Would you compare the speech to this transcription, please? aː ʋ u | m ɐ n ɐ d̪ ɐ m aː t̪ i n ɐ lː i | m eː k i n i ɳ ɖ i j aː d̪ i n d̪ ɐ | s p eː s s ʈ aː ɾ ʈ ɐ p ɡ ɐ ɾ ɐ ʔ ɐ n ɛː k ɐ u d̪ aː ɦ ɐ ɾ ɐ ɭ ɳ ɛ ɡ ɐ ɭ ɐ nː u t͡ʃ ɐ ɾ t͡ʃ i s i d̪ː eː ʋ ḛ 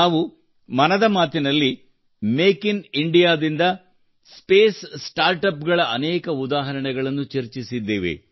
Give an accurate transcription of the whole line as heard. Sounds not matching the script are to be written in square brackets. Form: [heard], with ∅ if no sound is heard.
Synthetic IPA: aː ʋ u | m ɐ n ɐ d̪ ɐ m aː t̪ i n ɐ lː i | m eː k i n i ɳ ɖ i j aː d̪ i n d̪ ɐ | s p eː s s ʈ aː ɾ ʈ ɐ p ɡ ɐ [ɭ] ɐ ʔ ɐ n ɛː k ɐ u d̪ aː ɦ ɐ ɾ ɐ [∅] ɳ ɛ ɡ ɐ ɭ ɐ nː u t͡ʃ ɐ ɾ t͡ʃ i s i d̪ː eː ʋ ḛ